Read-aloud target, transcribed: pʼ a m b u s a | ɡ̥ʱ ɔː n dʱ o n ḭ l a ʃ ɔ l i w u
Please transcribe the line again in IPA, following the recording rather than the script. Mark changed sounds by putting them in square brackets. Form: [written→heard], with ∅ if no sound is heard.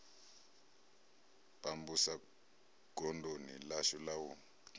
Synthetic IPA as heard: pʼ a m b u s a | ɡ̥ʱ [ɔː→ɔ] n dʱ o n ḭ l a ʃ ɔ l [i→a] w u